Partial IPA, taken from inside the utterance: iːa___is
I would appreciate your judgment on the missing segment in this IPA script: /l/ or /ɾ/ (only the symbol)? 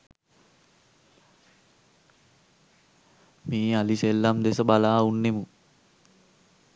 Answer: l